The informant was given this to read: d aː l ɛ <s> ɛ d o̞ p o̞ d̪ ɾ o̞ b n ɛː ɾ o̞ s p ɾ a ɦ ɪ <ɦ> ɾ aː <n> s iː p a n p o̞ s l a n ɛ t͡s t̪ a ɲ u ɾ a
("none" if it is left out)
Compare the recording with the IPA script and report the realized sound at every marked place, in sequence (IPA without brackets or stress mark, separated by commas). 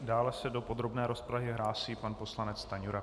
s, ɦ, none